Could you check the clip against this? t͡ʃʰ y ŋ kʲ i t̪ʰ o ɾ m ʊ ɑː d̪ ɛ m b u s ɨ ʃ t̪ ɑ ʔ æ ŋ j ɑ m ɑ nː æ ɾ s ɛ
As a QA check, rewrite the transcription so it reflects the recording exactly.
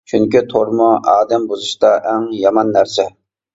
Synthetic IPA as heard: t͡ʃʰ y ŋ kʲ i t̪ʰ o ɾ m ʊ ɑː d̪ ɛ m b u z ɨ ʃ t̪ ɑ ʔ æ ŋ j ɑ m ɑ nː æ ɾ s ɛ

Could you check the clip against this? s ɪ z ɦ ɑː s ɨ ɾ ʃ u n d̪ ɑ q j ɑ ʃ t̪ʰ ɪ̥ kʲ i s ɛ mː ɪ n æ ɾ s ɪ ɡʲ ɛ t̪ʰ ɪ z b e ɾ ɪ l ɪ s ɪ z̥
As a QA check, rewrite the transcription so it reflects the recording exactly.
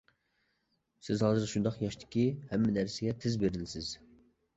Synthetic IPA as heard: s ɪ z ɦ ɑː z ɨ ɾ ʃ u n d̪ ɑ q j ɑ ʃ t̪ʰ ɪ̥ kʲ i h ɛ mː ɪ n æ ɾ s ɪ ɡʲ ɛ t̪ʰ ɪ z b e ɾ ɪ l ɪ s ɪ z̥

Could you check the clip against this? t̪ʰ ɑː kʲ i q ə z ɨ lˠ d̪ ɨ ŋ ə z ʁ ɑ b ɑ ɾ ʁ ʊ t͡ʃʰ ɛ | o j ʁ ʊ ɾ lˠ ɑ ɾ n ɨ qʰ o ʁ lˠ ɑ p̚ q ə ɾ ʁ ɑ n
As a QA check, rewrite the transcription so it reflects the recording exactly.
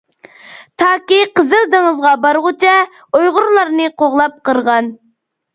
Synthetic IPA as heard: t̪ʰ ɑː kʲ i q ə z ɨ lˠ d̪ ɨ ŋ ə z ʁ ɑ b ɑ ɾ ʁ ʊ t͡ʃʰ ɛ | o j ʁ ʊ ɾ lˠ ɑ ɾ n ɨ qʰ o ʁ lˠ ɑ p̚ q ə ɾ ʁ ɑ n

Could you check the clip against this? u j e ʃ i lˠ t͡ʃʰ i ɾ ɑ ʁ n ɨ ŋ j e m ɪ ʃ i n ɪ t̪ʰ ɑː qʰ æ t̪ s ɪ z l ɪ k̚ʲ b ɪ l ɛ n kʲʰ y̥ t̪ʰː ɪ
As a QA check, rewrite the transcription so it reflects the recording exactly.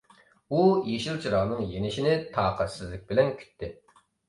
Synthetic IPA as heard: u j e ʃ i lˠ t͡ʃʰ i ɾ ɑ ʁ n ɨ ŋ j e n ɪ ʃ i n ɪ t̪ʰ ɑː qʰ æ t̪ s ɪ z l ɪ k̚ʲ b ɪ l ɛ n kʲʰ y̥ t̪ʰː ɪ

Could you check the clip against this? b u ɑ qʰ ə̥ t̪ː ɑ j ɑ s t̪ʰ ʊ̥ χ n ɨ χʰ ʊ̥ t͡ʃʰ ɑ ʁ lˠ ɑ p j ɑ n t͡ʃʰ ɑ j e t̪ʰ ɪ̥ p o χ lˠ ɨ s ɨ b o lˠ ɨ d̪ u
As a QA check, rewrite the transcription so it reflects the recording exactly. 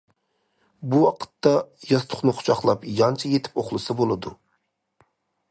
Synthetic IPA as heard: b u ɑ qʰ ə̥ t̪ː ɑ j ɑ s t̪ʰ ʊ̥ χ n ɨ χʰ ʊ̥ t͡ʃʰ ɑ χ lˠ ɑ p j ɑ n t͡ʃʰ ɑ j e t̪ʰ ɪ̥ p o χ lˠ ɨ s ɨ b o lˠ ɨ d̪ u

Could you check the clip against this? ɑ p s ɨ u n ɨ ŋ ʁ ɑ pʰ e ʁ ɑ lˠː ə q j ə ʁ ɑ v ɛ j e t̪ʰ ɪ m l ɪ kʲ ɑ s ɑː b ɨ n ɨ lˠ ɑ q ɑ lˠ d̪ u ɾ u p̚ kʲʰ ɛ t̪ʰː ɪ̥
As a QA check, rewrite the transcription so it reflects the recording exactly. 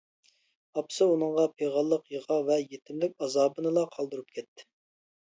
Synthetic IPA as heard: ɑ p s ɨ u n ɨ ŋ ʁ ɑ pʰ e ʁ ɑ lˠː ə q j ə ʁ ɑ v ɛ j e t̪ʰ ɪ m l ɪ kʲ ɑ z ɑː b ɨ n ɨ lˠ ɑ qʰ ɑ lˠ d̪ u ɾ u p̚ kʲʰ ɛ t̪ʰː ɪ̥

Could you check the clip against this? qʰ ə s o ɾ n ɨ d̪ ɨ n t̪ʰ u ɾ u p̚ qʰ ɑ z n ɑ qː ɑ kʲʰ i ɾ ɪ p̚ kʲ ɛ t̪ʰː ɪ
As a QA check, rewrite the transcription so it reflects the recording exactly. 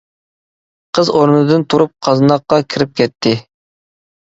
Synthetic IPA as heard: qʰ ə z o ɾ n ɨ d̪ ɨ n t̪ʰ u ɾ u p̚ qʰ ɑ z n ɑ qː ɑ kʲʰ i ɾ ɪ p̚ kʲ ɛ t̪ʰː ɪ

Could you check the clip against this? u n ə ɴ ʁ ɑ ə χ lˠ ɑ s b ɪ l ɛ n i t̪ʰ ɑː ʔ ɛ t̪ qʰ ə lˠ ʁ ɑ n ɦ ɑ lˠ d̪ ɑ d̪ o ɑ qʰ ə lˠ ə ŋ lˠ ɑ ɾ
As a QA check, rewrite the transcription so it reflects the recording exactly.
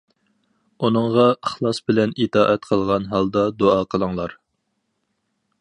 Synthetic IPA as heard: u n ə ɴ ʁ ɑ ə χ lˠ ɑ s b ɪ l ɛ n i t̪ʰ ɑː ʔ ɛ t̪ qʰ ə lˠ ʁ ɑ n ɦ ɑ lˠ d̪ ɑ d̪ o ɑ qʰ ə lˠ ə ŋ lˠ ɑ ɾ

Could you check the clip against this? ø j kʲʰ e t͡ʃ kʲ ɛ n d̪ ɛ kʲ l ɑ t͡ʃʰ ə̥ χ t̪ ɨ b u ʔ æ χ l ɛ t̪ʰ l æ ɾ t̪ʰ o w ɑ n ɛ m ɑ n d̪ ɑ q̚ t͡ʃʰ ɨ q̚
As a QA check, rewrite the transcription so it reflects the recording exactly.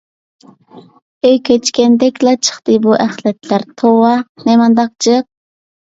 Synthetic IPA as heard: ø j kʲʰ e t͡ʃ kʲ ɛ n d̪ ɛ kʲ l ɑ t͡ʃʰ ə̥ χ t̪ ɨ b u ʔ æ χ l ɛ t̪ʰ l æ ɾ t̪ʰ o w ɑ n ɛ m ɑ n d̪ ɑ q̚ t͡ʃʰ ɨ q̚

